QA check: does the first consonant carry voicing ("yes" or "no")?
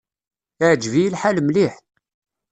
yes